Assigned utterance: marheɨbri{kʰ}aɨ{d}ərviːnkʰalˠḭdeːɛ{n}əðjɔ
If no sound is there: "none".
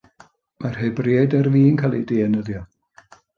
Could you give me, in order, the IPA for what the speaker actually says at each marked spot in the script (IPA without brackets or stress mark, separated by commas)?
none, d, n